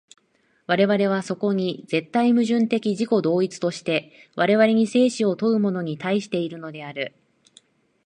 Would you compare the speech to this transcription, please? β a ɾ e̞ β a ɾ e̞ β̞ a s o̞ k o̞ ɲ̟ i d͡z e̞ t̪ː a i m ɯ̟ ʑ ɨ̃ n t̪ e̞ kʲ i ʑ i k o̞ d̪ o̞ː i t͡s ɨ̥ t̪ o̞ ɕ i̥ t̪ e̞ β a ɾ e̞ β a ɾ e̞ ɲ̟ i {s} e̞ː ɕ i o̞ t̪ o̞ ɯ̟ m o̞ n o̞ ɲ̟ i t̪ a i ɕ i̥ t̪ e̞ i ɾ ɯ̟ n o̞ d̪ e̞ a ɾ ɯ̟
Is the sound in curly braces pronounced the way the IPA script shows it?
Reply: yes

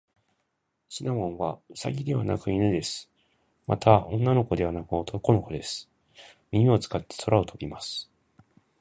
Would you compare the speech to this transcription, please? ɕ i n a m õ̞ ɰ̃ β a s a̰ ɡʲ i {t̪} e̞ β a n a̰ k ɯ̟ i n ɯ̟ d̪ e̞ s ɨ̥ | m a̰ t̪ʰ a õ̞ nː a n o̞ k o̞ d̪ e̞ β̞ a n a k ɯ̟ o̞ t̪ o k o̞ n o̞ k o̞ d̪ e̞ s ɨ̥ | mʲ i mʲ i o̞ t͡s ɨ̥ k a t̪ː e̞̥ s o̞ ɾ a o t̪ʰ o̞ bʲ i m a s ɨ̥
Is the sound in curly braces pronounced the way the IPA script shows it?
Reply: no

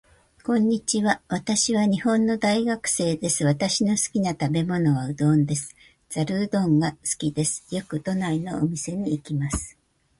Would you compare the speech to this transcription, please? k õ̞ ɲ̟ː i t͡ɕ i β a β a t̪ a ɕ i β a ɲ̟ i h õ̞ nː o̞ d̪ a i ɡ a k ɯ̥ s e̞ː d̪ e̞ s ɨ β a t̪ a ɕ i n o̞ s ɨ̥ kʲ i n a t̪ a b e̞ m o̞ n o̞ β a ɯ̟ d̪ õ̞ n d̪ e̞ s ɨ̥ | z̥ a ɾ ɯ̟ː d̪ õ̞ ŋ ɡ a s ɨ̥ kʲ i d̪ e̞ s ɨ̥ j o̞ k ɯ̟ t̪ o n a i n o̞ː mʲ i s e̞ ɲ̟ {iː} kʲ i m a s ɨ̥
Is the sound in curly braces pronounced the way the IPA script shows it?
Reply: yes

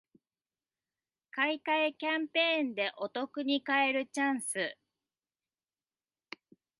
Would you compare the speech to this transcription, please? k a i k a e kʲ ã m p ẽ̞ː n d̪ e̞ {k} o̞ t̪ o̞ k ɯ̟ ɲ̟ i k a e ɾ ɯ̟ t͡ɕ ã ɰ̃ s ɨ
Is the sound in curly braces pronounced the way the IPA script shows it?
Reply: no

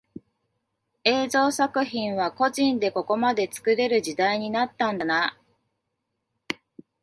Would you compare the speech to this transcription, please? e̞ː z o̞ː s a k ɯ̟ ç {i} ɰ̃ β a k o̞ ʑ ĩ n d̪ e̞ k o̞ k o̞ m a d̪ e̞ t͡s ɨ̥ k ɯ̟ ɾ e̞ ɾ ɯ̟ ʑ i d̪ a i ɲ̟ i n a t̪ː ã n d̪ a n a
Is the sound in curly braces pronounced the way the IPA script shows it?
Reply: no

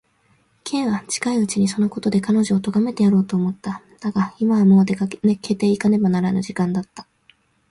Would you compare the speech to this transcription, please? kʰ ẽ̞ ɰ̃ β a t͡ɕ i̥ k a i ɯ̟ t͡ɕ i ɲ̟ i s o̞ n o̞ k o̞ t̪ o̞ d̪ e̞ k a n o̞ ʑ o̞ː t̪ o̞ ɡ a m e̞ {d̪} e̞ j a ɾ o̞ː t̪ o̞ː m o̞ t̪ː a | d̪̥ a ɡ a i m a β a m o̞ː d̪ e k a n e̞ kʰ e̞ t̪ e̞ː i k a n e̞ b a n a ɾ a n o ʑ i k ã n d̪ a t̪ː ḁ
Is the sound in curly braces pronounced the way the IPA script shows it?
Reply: no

